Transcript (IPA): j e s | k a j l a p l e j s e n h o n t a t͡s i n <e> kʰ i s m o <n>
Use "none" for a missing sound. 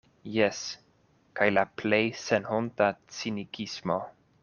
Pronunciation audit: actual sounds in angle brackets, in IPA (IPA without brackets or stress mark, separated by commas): i, none